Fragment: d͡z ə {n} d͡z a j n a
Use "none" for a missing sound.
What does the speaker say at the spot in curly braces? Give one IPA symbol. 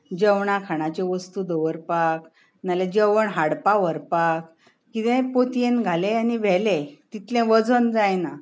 n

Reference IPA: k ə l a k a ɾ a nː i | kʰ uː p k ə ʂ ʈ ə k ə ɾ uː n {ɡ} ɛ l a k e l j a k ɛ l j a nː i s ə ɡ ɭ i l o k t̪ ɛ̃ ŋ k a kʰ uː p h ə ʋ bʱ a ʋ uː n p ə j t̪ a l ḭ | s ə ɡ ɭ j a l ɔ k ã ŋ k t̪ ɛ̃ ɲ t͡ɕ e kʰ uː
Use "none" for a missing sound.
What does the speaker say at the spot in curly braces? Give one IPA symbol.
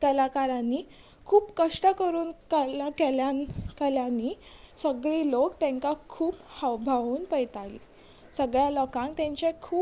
k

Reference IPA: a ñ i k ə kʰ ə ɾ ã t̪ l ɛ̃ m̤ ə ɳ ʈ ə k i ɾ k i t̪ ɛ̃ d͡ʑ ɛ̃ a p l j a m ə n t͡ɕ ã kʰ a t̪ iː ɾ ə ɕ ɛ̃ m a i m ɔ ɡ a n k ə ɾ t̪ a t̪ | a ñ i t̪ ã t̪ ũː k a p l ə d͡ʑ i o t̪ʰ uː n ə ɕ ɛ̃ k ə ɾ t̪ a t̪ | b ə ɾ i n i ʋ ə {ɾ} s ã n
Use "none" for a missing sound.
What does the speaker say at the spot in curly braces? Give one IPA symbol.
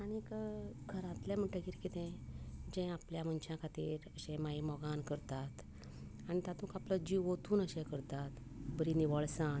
ɭ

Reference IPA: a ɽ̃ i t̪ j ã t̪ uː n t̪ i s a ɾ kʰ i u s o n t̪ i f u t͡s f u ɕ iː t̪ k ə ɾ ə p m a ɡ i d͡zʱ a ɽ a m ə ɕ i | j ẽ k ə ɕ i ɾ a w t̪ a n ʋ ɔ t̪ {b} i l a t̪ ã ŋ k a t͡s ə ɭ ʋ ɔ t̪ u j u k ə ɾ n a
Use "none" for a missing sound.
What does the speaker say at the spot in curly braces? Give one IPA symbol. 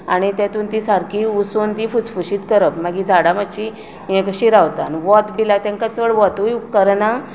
b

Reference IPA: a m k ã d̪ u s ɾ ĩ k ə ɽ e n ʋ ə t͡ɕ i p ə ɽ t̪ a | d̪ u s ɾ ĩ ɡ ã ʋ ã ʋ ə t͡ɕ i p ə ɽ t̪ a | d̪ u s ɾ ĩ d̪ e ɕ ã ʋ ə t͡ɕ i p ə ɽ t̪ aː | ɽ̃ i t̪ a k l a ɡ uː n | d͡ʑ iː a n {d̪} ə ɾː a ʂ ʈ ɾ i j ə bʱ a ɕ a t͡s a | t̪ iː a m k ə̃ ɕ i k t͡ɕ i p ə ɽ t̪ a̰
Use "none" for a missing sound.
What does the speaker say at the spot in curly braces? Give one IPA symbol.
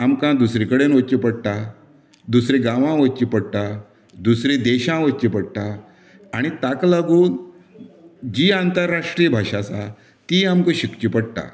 t̪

